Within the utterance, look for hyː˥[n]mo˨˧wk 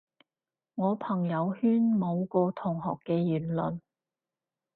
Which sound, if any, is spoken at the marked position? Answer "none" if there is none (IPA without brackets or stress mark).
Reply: n